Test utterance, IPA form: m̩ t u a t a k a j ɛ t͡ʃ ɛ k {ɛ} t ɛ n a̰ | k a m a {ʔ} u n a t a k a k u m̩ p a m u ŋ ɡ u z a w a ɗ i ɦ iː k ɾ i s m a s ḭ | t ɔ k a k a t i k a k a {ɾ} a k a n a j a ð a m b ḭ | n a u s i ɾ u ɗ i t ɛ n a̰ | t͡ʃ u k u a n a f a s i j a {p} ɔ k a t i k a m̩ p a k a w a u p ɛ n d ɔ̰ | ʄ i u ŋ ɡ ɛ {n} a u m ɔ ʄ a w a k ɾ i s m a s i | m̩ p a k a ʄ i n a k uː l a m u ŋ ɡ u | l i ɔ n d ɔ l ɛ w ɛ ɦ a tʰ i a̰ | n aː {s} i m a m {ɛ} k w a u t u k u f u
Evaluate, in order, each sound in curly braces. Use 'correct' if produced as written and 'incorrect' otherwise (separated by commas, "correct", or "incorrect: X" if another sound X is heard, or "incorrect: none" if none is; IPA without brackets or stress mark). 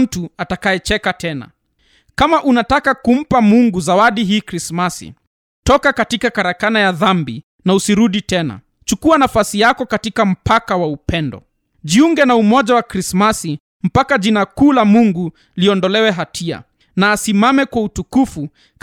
incorrect: a, correct, correct, incorrect: k, correct, correct, correct